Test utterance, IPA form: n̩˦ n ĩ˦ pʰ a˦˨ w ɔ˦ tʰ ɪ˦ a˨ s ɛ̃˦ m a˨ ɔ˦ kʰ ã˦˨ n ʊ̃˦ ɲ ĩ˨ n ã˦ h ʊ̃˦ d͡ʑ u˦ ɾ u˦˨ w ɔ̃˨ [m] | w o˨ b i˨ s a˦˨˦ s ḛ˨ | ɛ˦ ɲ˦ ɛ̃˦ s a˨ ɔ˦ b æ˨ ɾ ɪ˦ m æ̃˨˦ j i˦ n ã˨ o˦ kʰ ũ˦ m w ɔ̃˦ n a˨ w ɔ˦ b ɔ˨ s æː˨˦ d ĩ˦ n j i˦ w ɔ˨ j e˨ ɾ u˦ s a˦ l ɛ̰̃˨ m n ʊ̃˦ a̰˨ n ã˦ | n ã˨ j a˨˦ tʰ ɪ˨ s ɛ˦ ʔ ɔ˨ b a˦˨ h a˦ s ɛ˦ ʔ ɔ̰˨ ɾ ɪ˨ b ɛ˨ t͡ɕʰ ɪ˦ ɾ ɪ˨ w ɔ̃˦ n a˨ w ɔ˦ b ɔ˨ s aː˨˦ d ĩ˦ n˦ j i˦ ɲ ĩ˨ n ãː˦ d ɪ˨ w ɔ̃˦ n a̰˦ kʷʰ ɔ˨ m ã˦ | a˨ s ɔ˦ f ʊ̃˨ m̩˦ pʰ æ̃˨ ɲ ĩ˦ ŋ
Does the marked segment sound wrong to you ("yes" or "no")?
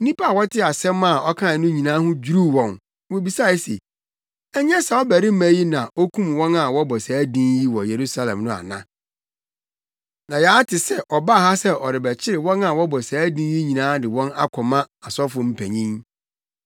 yes